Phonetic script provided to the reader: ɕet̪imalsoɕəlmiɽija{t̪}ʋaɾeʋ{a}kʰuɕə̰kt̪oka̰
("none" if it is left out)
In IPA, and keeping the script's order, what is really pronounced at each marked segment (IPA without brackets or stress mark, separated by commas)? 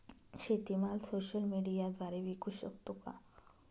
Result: d̪, i